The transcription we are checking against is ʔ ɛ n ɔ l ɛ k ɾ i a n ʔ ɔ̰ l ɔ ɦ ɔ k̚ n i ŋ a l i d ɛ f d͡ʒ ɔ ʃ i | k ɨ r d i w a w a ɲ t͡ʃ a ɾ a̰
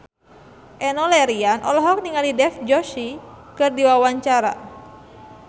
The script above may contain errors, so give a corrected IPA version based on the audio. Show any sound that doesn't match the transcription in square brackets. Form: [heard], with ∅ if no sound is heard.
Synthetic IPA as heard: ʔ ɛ n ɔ l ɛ [∅] ɾ i a n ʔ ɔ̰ l ɔ ɦ ɔ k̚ n i ŋ a l i d ɛ f d͡ʒ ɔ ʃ i | k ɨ r d i w a w a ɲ t͡ʃ a ɾ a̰